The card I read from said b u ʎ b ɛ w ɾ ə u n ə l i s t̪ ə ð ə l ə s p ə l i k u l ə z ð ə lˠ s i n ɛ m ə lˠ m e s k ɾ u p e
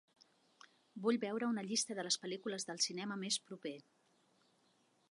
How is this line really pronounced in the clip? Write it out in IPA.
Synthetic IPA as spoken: b u ʎ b ɛ w ɾ ə u n ə ʎ i s t̪ ə ð ə l ə s p ə l i k u l ə z ð ə lˠ s i n ɛ m ə m e s p ɾ u p e

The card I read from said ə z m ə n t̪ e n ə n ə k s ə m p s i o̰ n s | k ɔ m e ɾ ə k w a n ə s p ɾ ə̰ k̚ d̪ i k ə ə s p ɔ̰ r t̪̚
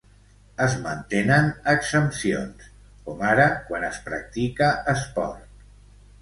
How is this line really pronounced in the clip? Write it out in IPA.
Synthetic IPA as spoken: ə z m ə n t̪ e n ə n ə k s ə m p s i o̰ n s | k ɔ m a ɾ ə k w a n ə s p ɾ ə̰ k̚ t̪ i k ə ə s p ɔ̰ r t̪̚

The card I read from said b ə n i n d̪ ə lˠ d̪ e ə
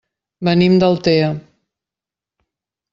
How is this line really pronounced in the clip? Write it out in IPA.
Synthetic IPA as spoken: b ə n i m d̪ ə lˠ t̪ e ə

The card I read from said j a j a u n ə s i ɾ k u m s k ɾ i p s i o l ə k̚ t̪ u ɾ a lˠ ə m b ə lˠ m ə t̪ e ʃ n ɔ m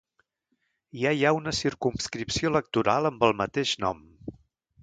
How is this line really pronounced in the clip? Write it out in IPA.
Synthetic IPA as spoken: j a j a u n ə s i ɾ k u m s k ɾ i p s i o l ə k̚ t̪ u ɾ a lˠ ə m b ə lˠ m ə t̪ e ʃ n ɔ m

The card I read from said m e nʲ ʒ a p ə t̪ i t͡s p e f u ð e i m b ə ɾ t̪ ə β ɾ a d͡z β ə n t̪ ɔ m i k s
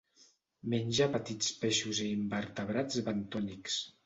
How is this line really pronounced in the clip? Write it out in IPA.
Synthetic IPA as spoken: m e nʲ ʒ a p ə t̪ i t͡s p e ʃ u z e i m b ə ɾ t̪ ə β ɾ a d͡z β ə n t̪ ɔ n i k s

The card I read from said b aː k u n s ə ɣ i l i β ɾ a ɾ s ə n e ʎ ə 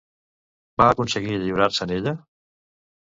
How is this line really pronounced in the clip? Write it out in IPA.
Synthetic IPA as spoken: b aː k u n s ə ɣ i ʎ i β ɾ a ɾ s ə n e ʎ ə

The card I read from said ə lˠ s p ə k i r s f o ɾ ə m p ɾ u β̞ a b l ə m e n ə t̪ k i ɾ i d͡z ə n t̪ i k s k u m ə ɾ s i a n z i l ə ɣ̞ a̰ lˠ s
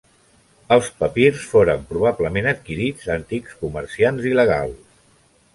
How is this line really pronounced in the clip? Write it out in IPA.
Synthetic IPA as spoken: ə lˠ s p ə p i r s f o ɾ ə m p ɾ u β̞ a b l ə m e n ə t̪ k i ɾ i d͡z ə n t̪ i k s k u m ə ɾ s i a n z i l ə ɣ̞ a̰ lˠ s

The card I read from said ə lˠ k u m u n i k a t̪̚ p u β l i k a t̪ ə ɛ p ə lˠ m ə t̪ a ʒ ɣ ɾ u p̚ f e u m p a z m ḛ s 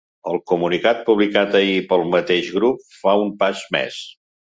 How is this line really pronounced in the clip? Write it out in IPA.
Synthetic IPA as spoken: ə lˠ k u m u n i k a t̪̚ p u β l i k a t̪ ə i p ə lˠ m ə t̪ e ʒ ɣ ɾ u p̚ f a u m p a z m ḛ s

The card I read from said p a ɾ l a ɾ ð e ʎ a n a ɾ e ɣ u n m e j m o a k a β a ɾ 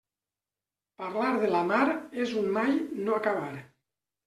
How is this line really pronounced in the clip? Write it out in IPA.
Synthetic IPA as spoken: p a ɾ l a ɾ ð e l a m a ɾ e z u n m a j n o a k a β a ɾ

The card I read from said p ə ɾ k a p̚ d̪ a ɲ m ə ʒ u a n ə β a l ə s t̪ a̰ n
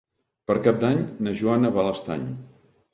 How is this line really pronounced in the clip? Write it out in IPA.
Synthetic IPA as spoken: p ə ɾ k a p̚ d̪ a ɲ n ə ʒ u a n ə β a l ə s t̪ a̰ ɲ

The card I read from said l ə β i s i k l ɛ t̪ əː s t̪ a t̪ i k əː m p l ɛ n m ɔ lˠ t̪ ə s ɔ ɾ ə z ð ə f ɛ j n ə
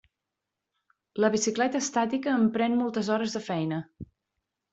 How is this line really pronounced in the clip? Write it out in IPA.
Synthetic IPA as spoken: l ə β i s i k l ɛ t̪ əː s t̪ a t̪ i k əː m p ɾ ɛ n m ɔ lˠ t̪ ə z ɔ ɾ ə z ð ə f ɛ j n ə

